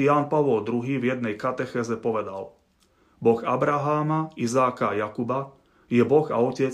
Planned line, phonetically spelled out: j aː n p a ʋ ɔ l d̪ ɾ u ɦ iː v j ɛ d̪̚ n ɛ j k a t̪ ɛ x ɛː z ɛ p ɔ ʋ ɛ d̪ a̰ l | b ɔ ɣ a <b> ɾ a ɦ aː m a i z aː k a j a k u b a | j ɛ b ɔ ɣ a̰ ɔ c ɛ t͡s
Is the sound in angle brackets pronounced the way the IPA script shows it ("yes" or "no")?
yes